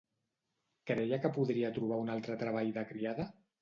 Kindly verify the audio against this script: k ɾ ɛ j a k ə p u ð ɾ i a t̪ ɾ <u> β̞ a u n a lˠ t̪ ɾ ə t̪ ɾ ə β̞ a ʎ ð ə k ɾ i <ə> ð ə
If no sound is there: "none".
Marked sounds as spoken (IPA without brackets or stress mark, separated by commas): u, a